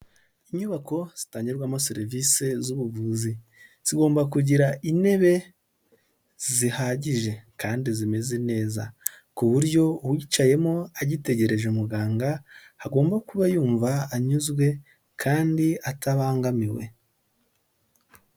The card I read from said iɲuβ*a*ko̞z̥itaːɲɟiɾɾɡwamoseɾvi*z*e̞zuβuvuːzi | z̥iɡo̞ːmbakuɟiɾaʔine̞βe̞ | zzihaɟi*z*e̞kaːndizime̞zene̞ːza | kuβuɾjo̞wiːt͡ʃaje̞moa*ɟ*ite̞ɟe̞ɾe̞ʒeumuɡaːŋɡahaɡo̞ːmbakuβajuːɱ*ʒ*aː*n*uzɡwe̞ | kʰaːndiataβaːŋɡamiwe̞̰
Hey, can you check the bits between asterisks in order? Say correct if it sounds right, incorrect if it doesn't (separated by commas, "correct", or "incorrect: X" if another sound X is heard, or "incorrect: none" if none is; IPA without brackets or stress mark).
correct, incorrect: s, incorrect: ʒ, correct, incorrect: v, incorrect: ɲ